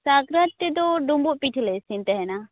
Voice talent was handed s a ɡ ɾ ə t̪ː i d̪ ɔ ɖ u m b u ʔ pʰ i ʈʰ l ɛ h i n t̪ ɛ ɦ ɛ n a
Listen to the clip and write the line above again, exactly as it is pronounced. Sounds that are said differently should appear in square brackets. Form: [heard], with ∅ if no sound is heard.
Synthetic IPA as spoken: s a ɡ ɾ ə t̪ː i d̪ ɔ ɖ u m b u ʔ [p] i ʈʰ l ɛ [s] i n t̪ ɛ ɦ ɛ n a